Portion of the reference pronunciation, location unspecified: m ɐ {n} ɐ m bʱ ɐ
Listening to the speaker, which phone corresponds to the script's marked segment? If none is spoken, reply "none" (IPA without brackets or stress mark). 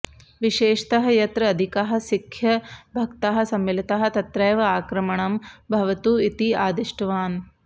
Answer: ɳ